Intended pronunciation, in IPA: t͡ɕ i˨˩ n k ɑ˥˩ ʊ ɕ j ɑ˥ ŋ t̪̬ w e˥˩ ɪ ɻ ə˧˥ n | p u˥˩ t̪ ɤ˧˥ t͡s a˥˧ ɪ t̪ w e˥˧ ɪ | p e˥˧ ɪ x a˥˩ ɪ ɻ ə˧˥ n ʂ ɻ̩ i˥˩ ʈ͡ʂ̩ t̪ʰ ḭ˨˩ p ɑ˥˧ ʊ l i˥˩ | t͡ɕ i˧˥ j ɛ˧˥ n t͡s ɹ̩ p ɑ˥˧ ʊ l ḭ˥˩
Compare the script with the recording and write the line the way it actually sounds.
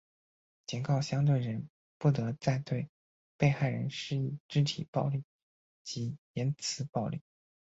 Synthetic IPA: t͡ɕ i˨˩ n k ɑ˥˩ ʊ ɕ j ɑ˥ ŋ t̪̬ w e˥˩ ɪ ɻ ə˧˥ n | p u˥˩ t̪ ɤ˧˥ t͡s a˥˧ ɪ t̪ w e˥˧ ɪ | p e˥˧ ɪ x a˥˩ ɪ ɻ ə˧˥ n ʂ ɻ̩ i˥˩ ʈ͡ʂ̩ t̪ʰ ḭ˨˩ p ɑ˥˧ ʊ l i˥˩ | t͡ɕ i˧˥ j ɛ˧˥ n t͡sʰ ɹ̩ p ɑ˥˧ ʊ l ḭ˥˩